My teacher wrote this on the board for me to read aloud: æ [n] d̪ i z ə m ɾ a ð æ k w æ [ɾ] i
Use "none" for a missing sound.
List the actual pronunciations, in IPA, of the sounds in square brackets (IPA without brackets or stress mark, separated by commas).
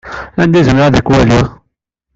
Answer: n, l